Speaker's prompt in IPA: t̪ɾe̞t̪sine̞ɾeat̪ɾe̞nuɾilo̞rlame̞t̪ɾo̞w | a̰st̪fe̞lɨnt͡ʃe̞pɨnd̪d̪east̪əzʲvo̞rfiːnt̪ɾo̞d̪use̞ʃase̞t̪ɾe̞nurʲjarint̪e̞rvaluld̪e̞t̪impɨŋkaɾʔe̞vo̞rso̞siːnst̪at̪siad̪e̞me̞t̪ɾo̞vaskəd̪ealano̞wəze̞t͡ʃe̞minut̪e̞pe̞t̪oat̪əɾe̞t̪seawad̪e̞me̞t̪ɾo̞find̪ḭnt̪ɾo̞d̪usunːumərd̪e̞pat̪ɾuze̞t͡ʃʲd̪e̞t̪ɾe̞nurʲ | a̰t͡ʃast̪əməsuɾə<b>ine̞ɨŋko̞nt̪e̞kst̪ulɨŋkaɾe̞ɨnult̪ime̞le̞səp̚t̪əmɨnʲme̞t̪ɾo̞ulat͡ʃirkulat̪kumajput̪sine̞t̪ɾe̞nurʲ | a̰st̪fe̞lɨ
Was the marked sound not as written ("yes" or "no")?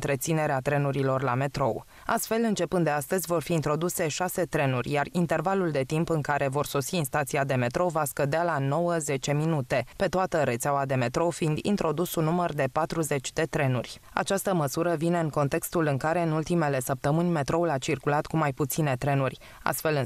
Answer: yes